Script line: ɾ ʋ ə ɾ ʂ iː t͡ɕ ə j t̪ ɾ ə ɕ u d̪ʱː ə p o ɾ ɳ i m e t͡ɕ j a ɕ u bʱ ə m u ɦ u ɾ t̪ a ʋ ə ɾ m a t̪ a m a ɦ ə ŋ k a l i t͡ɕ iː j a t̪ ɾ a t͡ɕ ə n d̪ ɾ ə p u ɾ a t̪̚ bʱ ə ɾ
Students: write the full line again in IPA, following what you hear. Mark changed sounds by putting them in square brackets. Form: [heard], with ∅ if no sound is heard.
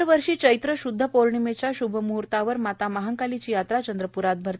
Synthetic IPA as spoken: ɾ ʋ ə ɾ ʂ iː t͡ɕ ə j t̪ ɾ ə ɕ u d̪ʱː ə p o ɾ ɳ i m e t͡ɕ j a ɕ u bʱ ə m u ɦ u ɾ t̪ a ʋ ə ɾ m a t̪ a m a ɦ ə ŋ k a l i t͡ɕ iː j a t̪ ɾ a t͡ɕ ə n d̪ ɾ ə p u ɾ a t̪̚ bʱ ə ɾ